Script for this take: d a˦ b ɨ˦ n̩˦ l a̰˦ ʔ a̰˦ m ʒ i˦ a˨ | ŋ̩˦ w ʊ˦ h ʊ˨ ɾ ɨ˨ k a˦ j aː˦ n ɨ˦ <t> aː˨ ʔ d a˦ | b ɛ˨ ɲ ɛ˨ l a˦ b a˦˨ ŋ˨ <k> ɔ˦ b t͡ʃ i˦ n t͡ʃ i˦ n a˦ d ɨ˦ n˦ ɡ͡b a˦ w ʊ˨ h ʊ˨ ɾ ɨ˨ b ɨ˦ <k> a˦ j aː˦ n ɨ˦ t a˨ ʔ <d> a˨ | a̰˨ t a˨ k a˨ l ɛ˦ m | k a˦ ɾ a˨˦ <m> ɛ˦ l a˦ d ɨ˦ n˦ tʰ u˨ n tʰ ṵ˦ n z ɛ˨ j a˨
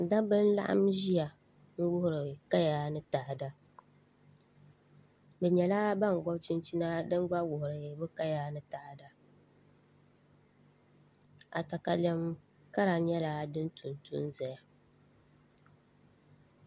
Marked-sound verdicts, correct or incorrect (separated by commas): correct, incorrect, correct, correct, incorrect